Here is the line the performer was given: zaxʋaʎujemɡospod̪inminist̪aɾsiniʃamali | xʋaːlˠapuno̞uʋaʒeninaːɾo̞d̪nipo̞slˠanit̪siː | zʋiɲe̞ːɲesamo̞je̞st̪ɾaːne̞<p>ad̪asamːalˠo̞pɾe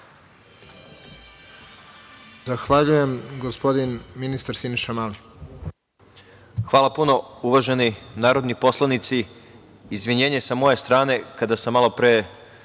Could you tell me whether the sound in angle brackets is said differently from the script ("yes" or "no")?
yes